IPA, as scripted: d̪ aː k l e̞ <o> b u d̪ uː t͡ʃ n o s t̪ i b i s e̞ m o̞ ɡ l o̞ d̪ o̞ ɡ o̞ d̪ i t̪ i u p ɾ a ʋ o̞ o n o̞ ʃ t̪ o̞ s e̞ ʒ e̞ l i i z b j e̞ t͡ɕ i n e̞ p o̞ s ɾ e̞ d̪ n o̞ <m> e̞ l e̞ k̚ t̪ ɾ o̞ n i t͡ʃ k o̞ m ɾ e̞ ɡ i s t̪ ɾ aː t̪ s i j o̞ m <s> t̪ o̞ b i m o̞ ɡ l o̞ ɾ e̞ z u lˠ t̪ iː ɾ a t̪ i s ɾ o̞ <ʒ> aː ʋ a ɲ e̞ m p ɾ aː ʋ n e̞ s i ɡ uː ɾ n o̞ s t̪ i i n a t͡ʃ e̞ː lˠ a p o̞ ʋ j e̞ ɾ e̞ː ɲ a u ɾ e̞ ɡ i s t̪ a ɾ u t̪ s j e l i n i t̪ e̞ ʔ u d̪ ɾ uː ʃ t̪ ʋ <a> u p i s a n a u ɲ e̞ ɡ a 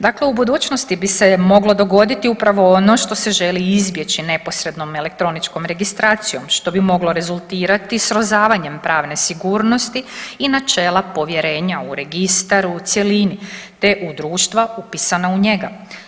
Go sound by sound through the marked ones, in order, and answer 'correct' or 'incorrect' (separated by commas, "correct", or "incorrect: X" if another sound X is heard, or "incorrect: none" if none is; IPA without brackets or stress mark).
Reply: incorrect: u, correct, incorrect: ʃ, incorrect: z, correct